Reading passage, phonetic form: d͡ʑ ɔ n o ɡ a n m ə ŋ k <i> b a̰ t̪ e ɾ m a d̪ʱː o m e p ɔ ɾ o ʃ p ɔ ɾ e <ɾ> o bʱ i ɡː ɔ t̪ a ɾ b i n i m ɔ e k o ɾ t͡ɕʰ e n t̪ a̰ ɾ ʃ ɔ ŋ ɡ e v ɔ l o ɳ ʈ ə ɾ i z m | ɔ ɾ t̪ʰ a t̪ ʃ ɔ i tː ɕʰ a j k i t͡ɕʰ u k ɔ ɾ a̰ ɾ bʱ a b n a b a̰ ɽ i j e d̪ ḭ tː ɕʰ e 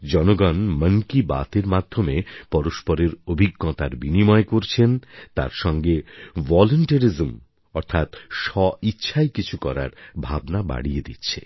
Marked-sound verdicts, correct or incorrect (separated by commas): correct, correct